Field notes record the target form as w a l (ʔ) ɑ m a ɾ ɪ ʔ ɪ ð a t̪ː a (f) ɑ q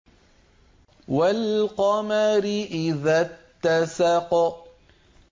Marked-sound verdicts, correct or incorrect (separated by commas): incorrect, incorrect